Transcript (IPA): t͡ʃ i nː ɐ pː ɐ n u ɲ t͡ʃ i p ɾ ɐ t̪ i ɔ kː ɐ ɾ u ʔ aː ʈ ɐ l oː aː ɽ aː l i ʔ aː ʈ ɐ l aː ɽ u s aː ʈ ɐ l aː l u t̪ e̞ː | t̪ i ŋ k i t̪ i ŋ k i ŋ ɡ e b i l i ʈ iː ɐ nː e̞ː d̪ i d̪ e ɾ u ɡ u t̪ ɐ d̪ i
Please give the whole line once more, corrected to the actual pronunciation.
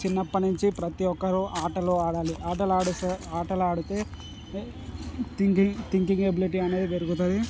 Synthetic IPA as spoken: t͡ʃ i nː ɐ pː ɐ n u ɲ t͡ʃ i p ɾ ɐ t̪ i ɔ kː ɐ ɾ u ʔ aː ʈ ɐ l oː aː ɽ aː l i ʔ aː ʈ ɐ l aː ɽ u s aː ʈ ɐ l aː ɽ u t̪ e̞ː | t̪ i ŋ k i t̪ i ŋ k i ŋ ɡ e b i l i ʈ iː ɐ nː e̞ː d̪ i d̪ e ɾ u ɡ u t̪ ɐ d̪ i